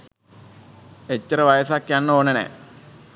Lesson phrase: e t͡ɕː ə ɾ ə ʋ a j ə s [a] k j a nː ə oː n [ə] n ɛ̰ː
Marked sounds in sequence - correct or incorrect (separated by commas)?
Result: correct, correct